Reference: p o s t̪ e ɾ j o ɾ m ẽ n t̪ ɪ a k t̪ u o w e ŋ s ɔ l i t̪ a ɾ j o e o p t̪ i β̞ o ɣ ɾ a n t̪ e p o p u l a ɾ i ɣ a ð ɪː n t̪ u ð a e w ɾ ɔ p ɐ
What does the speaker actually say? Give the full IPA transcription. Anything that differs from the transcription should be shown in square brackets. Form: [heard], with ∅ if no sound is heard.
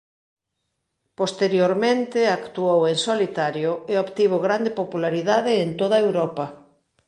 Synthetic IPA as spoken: p o s t̪ e ɾ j o ɾ m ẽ n t̪ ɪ a k t̪ u o w e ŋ s [o] l i t̪ a ɾ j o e o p t̪ i β̞ o ɣ ɾ a n [d̪] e p o p u l a ɾ i [ð] a ð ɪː n t̪ [o] ð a e w ɾ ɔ p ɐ